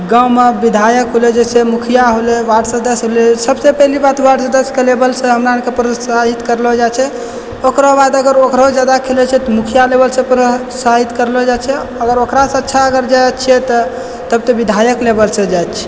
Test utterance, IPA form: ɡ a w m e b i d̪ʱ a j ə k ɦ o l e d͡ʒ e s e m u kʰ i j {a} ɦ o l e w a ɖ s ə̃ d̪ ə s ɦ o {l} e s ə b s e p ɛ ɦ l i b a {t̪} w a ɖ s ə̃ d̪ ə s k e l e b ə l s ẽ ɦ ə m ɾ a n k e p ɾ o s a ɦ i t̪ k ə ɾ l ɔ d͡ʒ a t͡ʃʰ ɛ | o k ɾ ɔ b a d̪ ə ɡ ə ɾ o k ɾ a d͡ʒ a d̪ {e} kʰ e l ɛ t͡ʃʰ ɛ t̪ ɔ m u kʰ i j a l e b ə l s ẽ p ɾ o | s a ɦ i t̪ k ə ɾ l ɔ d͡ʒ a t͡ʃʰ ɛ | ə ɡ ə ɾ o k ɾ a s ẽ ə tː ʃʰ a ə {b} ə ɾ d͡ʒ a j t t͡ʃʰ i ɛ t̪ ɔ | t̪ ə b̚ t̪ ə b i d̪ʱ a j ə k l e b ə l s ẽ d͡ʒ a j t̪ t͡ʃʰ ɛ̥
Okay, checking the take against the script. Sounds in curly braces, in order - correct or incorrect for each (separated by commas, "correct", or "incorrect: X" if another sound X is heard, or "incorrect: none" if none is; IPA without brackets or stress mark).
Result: correct, correct, correct, incorrect: a, incorrect: ɡ